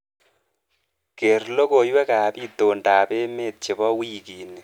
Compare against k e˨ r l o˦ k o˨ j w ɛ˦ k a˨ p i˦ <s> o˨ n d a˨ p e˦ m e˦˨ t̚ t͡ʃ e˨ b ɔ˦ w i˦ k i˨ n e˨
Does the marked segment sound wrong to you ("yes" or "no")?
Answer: yes